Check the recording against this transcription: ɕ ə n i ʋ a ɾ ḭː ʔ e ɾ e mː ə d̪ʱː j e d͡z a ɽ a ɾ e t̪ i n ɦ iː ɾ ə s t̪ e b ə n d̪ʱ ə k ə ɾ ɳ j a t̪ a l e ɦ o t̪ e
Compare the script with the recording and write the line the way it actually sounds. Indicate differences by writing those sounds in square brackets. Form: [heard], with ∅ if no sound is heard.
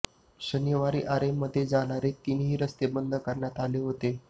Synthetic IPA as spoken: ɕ ə n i ʋ a ɾ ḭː ʔ [a] ɾ e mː ə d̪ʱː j e d͡z a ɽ a ɾ e t̪ i n ɦ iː ɾ ə s t̪ e b ə n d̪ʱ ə k ə ɾ ɳ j a t̪ a l e ɦ o t̪ e